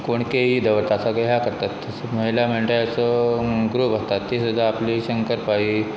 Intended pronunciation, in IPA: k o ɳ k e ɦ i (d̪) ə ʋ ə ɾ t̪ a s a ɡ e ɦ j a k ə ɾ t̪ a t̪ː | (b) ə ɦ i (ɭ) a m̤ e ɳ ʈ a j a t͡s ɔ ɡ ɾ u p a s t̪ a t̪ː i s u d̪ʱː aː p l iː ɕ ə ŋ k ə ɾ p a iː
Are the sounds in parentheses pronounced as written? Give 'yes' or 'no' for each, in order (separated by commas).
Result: yes, no, no